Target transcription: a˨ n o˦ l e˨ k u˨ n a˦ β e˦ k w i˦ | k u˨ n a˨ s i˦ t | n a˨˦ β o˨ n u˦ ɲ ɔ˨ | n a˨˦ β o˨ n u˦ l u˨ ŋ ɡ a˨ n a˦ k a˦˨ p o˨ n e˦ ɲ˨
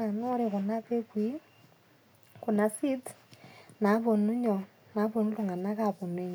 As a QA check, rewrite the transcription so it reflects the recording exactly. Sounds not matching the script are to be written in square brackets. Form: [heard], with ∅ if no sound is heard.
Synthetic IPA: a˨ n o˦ [ɾ] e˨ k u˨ n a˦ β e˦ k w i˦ | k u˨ n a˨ s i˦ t | n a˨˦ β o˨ n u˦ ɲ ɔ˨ | n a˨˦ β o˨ n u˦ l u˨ ŋ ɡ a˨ n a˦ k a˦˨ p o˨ n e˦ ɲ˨

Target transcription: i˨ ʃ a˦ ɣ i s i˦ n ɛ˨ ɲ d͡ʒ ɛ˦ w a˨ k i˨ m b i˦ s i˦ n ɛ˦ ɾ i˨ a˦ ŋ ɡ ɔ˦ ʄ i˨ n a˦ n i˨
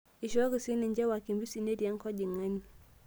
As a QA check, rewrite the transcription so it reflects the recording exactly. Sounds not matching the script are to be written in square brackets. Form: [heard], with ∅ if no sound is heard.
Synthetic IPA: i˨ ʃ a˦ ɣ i s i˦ n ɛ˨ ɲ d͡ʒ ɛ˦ w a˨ k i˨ m b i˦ s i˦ n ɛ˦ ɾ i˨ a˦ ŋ [k] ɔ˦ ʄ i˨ [ŋ] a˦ n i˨

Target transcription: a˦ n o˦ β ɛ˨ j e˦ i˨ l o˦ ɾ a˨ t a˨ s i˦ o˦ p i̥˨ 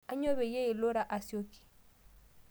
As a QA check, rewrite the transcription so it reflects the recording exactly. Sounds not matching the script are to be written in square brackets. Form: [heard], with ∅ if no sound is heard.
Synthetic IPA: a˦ [ɲ] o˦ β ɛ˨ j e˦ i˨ l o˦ ɾ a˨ [ʔ] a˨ s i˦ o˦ [k] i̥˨

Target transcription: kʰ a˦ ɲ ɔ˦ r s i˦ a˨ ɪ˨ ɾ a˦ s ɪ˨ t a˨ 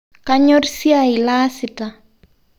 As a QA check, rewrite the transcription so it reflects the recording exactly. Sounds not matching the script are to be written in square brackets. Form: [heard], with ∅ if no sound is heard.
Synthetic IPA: [k] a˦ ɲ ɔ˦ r s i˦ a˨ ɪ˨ [l] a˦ s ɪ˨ t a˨

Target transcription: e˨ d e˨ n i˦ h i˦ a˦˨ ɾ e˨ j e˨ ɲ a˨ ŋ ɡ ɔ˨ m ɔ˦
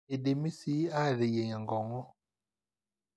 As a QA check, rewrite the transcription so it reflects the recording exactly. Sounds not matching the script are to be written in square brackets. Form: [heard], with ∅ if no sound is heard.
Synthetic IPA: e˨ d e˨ [m] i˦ [s] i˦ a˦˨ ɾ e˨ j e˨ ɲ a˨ ŋ ɡ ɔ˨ [ŋ] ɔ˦

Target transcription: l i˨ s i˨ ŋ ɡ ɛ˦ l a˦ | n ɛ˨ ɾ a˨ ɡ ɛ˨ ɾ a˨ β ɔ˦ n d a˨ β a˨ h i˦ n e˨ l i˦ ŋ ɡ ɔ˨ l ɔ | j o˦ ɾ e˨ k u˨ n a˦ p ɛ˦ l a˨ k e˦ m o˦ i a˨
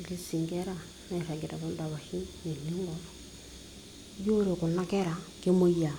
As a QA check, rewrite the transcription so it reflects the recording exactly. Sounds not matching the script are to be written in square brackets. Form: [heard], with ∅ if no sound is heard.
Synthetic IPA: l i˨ s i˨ ŋ ɡ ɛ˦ [ɾ] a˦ | n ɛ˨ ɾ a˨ ɡ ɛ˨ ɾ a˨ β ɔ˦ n d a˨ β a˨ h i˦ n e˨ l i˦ ŋ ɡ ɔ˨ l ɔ | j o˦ ɾ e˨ k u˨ n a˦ [k] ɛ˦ [ɾ] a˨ k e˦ m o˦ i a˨

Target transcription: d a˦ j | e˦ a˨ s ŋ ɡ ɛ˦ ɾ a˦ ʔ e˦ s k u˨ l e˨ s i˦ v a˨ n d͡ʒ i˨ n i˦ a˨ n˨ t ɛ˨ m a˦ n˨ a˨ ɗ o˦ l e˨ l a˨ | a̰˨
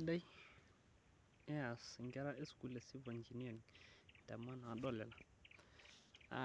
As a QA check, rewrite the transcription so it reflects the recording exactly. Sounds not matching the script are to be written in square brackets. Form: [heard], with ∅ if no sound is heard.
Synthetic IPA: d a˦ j | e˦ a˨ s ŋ ɡ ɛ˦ ɾ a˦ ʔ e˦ s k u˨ l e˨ s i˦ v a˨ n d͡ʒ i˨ n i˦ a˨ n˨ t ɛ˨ m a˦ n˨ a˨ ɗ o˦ l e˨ l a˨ | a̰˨

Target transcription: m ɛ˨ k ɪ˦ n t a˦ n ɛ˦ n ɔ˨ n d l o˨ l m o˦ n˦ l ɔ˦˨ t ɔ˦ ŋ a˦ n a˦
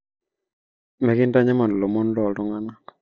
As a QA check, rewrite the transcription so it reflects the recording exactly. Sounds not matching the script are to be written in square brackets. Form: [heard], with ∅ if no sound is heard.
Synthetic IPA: m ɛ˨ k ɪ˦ n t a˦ [ɲ] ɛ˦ [m] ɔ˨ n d l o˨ [∅] m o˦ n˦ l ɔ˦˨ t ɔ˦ ŋ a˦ n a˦

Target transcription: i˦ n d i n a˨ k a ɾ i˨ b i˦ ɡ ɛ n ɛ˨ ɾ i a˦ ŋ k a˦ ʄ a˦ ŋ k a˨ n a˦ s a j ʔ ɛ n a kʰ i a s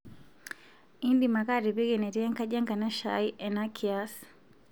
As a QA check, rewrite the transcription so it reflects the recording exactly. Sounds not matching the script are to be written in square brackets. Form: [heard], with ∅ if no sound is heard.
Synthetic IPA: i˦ n d i [m] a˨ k a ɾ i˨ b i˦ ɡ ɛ n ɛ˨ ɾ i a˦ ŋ k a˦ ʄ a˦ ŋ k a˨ n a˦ [ʃ] a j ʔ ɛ n a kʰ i a s

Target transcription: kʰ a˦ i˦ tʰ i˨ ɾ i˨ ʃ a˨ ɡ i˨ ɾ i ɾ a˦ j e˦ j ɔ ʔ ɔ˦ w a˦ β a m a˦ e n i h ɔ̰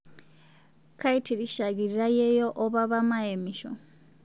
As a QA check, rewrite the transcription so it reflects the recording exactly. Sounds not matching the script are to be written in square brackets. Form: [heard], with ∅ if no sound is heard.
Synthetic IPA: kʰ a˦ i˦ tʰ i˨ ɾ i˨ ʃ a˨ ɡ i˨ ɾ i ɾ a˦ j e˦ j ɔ ʔ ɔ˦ [β] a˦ β a m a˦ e [m] i [ʃ] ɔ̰

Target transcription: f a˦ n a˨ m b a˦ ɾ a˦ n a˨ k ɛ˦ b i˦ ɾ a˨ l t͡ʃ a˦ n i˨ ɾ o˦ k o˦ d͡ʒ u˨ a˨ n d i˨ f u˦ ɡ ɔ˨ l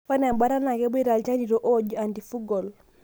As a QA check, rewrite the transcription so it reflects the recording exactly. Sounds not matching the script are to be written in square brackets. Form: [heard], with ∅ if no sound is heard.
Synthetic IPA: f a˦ n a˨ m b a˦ ɾ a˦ n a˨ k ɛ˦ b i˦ ɾ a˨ l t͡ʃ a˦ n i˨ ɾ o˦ [ʔ] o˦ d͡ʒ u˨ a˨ n d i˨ f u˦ ɡ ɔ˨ l

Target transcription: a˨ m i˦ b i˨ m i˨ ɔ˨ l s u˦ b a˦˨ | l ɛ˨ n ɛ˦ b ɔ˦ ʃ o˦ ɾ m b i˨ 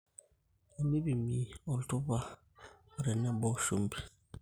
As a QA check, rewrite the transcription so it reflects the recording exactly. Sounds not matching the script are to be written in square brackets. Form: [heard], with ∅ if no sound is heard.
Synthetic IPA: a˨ m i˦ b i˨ m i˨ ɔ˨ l [t] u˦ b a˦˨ | [ɾ] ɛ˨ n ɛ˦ b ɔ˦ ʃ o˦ [∅] m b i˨

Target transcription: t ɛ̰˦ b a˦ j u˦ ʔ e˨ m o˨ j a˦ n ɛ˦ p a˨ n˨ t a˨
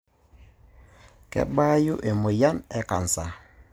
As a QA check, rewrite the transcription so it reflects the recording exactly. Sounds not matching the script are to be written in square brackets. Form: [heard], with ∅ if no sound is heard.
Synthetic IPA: [k] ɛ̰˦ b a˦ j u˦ ʔ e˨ m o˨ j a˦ n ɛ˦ [k] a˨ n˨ [s] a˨

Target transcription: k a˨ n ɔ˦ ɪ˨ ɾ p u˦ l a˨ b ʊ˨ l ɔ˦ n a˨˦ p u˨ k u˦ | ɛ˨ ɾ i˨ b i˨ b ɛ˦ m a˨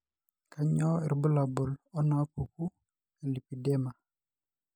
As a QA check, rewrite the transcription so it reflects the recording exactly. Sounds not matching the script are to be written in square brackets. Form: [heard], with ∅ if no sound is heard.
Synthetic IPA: k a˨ [ɲ] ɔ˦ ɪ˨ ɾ [b] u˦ l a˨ b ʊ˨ l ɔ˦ n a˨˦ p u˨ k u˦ | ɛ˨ [l] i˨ [p] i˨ [d] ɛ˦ m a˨

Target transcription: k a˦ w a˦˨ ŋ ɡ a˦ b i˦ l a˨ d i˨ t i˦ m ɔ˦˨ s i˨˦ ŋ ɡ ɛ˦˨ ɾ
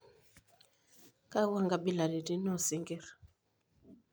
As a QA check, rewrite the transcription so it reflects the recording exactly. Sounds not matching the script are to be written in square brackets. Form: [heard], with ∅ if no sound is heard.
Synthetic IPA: k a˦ w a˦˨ ŋ ɡ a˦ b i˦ l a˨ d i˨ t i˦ [n] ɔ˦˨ s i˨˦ ŋ ɡ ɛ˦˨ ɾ

